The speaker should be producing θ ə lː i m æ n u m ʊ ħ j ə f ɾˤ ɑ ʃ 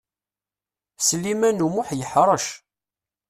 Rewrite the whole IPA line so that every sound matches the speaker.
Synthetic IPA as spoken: s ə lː i m æ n u m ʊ ħ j ə ħ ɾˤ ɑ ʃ